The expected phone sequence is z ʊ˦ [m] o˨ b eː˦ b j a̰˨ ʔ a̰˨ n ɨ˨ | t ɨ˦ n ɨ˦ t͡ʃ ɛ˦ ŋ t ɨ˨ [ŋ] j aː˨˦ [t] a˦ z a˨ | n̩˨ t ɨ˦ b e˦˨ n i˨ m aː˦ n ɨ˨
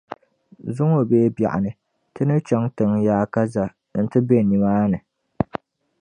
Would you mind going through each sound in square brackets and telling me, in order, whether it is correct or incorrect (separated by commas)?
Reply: incorrect, correct, incorrect